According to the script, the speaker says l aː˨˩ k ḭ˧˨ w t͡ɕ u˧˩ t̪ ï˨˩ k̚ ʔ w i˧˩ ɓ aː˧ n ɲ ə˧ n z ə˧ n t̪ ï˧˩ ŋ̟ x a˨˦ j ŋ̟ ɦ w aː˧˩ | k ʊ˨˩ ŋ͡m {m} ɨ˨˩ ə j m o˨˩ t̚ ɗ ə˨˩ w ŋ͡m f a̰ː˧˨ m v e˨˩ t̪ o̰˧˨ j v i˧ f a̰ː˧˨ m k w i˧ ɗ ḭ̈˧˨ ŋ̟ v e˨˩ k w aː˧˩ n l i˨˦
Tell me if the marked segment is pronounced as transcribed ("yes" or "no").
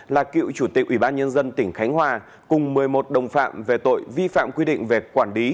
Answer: yes